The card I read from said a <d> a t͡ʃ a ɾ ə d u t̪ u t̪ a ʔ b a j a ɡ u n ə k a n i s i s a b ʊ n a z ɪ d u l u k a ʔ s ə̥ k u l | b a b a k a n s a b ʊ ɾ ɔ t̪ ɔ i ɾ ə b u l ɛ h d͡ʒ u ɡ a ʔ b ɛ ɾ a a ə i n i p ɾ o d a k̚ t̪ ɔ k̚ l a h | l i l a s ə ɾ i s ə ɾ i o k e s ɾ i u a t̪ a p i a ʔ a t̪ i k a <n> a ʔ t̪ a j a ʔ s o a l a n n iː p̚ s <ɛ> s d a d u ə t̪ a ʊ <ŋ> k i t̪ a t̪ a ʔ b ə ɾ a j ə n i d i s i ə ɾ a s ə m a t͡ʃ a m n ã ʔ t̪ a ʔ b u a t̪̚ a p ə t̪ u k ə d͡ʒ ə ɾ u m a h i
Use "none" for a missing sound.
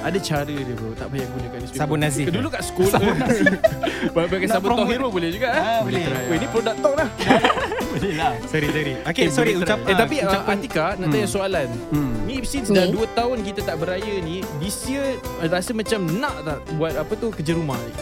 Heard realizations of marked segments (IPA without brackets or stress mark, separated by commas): d, n, i, n